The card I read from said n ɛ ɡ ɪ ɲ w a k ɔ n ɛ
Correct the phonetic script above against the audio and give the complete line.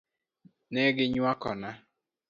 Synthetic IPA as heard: n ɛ ɡ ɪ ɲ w a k ɔ n a